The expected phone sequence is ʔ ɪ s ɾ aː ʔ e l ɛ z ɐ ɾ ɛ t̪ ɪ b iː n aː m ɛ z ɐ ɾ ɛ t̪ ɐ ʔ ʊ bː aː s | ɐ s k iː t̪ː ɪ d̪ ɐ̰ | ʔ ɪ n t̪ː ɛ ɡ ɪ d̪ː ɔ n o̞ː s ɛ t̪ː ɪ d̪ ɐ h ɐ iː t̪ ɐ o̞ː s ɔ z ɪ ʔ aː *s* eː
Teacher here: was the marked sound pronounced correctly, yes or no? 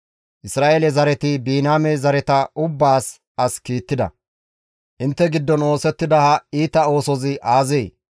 no